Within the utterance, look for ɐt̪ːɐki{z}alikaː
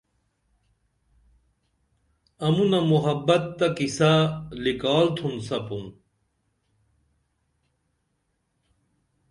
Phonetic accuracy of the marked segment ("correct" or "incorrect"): incorrect